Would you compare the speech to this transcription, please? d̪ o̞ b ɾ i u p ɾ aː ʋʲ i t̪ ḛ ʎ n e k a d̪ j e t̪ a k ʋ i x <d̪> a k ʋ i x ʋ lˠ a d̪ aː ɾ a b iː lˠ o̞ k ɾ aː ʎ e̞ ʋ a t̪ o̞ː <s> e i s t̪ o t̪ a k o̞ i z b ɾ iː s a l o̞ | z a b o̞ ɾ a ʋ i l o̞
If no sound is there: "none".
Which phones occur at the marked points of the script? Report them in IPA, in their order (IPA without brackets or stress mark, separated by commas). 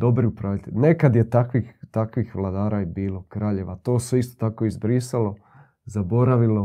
t̪, s